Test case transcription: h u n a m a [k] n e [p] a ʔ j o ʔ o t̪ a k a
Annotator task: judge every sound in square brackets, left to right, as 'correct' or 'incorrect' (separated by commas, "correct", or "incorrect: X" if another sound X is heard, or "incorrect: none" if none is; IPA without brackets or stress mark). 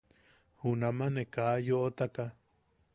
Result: incorrect: none, incorrect: k